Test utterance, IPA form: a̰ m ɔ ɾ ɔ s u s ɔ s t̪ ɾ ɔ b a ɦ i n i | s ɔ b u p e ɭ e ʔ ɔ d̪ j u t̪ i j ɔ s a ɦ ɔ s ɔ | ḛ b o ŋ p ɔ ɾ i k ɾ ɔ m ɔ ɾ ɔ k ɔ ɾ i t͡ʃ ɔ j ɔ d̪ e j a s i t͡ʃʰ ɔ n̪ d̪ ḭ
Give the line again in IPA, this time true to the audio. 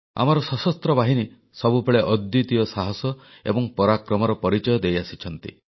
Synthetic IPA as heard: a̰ m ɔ ɾ ɔ s ɔ s ɔ s t̪ ɾ ɔ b a ɦ i n i | s ɔ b u p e ɭ e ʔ ɔ d̪ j u t̪ i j ɔ s a ɦ ɔ s ɔ | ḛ b ɔ ŋ p ɔ ɾ a k ɾ ɔ m ɔ ɾ ɔ p ɔ ɾ i t͡ʃ ɔ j ɔ d̪ e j a s i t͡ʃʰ ɔ n̪ t̪ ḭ

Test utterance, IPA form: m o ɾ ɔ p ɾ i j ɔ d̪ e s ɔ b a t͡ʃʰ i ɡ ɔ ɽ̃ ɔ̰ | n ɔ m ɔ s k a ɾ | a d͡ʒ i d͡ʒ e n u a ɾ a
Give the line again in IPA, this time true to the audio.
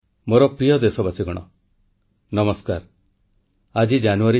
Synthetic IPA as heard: m o ɾ ɔ p ɾ i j ɔ d̪ e s ɔ b a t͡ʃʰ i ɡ ɔ ɽ̃ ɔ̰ | n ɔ m ɔ s k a ɾ | a d͡ʒ i d͡ʒ a n u a ɾ i

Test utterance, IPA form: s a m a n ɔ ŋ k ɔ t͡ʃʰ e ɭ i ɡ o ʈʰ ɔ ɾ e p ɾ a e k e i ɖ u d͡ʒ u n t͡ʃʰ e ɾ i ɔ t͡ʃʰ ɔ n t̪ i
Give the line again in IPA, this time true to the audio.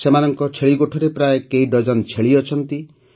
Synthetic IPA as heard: s e m a n ɔ ŋ k ɔ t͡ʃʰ e ɭ i ɡ o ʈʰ ɔ ɾ e p ɾ a e k e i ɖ ɔ d͡ʒ ɔ n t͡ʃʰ e ɭ i ɔ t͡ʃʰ ɔ n t̪ i

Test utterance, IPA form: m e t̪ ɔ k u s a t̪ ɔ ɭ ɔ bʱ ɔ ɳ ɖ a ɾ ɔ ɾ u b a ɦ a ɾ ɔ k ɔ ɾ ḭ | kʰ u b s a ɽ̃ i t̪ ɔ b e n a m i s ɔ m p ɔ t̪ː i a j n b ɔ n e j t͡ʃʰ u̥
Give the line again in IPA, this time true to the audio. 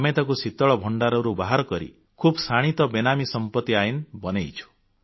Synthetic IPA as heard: m e t̪ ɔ k u s i t̪ ɔ ɭ ɔ bʱ ɔ ɳ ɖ a ɾ ɔ ɾ u b a ɦ a ɾ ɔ k ɔ ɾ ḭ | kʰ u b s a ɽ̃ i t̪ ɔ b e n a m i s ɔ m p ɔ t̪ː i a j n b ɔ n e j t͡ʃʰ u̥

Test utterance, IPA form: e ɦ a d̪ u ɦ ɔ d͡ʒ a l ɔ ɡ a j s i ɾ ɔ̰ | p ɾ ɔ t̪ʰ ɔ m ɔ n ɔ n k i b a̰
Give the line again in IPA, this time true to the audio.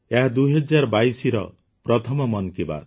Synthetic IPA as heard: e ɦ a d̪ u ɦ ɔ d͡ʒ a ɾ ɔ b a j s i ɾ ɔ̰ | p ɾ ɔ t̪ʰ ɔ m ɔ m ɔ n k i b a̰

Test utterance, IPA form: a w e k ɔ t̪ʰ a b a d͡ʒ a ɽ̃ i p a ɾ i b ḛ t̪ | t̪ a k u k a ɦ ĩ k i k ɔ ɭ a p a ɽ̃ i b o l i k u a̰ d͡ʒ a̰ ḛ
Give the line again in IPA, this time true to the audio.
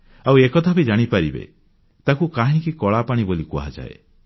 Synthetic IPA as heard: a w e k ɔ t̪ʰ a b i d͡ʒ a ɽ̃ i p a ɾ i b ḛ | t̪ a k u k a ɦ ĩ k i k ɔ ɭ a p a ɽ̃ i b o l i k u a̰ d͡ʒ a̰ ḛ

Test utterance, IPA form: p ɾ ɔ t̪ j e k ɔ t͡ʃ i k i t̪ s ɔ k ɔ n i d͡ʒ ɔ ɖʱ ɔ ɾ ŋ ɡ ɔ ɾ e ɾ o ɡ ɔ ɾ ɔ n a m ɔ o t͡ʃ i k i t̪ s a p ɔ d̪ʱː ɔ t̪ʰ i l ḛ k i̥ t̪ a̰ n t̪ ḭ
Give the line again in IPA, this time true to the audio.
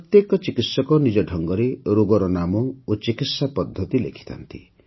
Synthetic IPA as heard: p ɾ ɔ t̪ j e k ɔ t͡ʃ i k i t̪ s ɔ k ɔ n i d͡ʒ ɔ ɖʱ ɔ ŋ ɡ ɔ ɾ e ɾ o ɡ ɔ ɾ ɔ n a m ɔ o t͡ʃ i k i t̪ s a p ɔ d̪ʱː ɔ t̪ i l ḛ kʰ i̥ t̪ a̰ n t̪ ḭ

